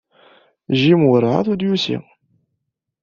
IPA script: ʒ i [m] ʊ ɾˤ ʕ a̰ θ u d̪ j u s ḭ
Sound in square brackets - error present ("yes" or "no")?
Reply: no